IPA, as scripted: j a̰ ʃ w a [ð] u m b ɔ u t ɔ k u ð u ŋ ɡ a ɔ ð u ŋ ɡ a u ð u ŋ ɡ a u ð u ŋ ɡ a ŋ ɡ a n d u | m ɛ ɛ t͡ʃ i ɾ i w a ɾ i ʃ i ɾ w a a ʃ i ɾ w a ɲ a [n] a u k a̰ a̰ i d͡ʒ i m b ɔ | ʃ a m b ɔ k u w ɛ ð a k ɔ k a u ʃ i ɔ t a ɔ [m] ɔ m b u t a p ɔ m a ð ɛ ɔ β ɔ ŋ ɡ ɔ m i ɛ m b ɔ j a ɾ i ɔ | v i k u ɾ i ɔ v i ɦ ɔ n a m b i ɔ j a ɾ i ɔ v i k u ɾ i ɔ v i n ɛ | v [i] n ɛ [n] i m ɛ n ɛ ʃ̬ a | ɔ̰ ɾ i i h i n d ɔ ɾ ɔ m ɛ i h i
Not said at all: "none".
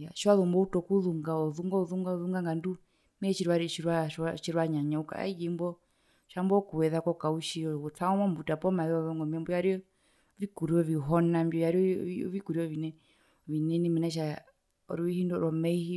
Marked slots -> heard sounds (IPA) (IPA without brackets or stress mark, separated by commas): ð, ɲ, m, i, n